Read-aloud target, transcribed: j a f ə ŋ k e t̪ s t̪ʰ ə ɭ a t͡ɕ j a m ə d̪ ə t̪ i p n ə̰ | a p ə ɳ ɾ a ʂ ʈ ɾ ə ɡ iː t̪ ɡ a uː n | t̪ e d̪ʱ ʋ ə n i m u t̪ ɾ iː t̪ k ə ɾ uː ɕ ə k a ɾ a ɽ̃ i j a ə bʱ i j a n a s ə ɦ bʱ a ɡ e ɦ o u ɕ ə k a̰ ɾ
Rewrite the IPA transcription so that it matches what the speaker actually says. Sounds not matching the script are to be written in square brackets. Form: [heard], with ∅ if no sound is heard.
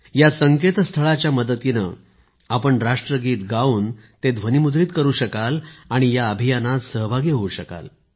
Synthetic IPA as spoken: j a [s] ə ŋ k e t̪ s t̪ʰ ə ɭ a t͡ɕ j a m ə d̪ ə t̪ i [∅] n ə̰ | a p ə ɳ ɾ a ʂ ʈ ɾ ə ɡ iː t̪ ɡ a uː n | t̪ e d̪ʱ ʋ ə n i m u [d̪] ɾ iː t̪ k ə ɾ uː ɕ ə k a [l] a ɽ̃ i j a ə bʱ i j a n a s ə ɦ bʱ a ɡ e ɦ o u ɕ ə k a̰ [l]

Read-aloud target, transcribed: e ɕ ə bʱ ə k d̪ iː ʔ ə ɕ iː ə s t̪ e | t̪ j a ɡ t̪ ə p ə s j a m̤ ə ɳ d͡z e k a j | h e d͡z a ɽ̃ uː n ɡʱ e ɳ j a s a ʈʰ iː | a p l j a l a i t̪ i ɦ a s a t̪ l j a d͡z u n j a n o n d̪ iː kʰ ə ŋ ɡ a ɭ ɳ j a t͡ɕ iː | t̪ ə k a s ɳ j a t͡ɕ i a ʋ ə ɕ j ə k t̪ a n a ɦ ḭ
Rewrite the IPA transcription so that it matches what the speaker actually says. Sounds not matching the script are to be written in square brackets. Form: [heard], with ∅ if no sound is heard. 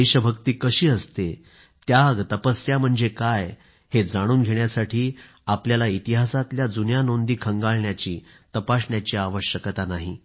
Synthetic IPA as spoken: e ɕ ə bʱ ə k [t̪] iː [k] ə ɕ iː ə s t̪ e | t̪ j a ɡ t̪ ə p ə s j a m̤ ə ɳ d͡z e k a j | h e d͡z a ɽ̃ uː n ɡʱ e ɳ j a s a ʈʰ iː | a p l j a l a i t̪ i ɦ a s a t̪ l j a d͡z u n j a n o n d̪ iː kʰ ə ŋ ɡ a ɭ ɳ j a t͡ɕ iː | t̪ ə [p] a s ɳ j a t͡ɕ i a ʋ ə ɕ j ə k t̪ a n a ɦ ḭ

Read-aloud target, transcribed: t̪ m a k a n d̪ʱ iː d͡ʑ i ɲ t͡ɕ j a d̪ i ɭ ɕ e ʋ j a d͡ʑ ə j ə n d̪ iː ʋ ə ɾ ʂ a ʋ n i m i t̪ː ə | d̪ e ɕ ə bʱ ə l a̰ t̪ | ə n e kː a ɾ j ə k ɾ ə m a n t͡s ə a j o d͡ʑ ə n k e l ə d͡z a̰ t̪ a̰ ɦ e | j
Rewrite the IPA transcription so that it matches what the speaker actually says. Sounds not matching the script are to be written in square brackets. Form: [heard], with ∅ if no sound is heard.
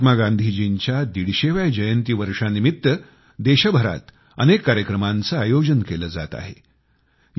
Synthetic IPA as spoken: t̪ m a [ɡ] a n d̪ʱ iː d͡ʑ i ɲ t͡ɕ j a d̪ i [ɽ] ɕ e ʋ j a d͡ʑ ə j ə n [t̪] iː ʋ ə ɾ ʂ a [∅] n i m i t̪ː ə | d̪ e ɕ ə bʱ ə [ɾ] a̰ t̪ | ə n e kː a ɾ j ə k ɾ ə m a n t͡s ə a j o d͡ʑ ə n k e l ə d͡z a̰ t̪ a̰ ɦ e | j

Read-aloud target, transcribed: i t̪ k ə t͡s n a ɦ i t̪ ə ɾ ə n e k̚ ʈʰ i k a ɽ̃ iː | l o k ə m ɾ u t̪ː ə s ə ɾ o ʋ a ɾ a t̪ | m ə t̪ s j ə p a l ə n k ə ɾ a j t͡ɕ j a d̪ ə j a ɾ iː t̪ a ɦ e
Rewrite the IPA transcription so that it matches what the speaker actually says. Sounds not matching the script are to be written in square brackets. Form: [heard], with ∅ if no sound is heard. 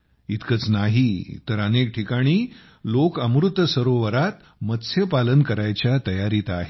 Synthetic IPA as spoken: i t̪ k ə t͡s n a ɦ i t̪ ə ɾ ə n e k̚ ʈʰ i k a ɽ̃ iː | l o k ə m ɾ u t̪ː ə s ə ɾ o ʋ [ə] ɾ a t̪ | m ə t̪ s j ə p a l ə n k ə ɾ a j t͡ɕ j a [t̪] ə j a ɾ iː t̪ a ɦ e

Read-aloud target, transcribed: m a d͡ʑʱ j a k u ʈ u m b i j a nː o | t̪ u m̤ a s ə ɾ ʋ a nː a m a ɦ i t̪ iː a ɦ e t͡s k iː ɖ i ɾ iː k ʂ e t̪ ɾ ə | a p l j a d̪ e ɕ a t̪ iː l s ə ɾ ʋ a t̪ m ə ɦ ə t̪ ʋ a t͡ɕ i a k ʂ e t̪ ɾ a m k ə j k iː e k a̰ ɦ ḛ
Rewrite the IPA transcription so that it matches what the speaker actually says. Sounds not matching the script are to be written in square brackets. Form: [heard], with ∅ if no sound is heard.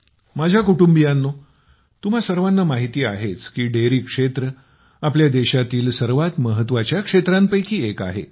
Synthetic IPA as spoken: m a d͡ʑʱ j a k u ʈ u m b i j a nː o | t̪ u m̤ a s ə ɾ ʋ a nː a m a ɦ i t̪ iː a ɦ e t͡s k iː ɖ [e] ɾ iː k ʂ e t̪ ɾ ə | a p l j a d̪ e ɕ a t̪ iː l s ə ɾ ʋ a t̪ m ə ɦ ə t̪ ʋ a t͡ɕ [j] a k ʂ e t̪ ɾ a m [p] ə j k iː e k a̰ ɦ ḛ

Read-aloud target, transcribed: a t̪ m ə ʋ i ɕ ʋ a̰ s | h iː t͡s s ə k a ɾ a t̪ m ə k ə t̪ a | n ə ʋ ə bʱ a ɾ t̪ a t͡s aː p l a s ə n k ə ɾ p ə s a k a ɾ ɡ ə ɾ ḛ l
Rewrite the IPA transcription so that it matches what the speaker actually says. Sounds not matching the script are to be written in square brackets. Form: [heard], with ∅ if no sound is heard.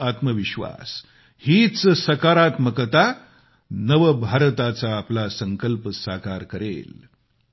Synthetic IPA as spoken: a t̪ m ə ʋ i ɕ ʋ a̰ s | h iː t͡s s ə k a ɾ a t̪ m ə k ə t̪ a | n ə ʋ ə bʱ a ɾ t̪ a t͡s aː p l a s ə [ŋ] k ə [l] p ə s a k a ɾ [k] ə ɾ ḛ l

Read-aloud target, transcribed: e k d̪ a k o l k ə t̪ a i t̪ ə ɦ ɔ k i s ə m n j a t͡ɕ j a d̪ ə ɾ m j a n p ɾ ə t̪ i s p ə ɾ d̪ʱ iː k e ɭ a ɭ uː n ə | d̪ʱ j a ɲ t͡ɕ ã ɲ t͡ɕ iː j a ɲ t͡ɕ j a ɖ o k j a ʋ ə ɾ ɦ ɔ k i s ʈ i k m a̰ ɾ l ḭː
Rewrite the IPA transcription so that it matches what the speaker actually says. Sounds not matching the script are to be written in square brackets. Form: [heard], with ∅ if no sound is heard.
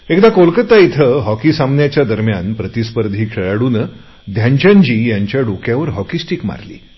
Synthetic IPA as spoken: e k d̪ a k o l k ə t̪ a i [t̪ʰ] ə ɦ ɔ k i s [a] m n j a t͡ɕ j a d̪ ə ɾ m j a n p ɾ ə t̪ i s p ə ɾ d̪ʱ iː [kʰ] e ɭ a [ɽ] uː n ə | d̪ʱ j a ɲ t͡ɕ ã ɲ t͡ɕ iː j a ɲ t͡ɕ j a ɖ o k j a ʋ ə ɾ ɦ ɔ k i s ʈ i k m a̰ ɾ l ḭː

